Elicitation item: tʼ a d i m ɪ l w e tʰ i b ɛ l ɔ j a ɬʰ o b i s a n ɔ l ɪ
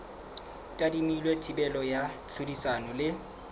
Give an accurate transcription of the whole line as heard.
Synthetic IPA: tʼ a d i m i l w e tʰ i b ɛ l ɔ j a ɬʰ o d i s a n ɔ l ɪ